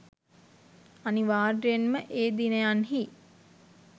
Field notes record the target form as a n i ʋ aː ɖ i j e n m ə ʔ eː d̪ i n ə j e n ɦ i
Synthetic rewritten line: a n i ʋ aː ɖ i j e n m ə ʔ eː d̪ i n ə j a n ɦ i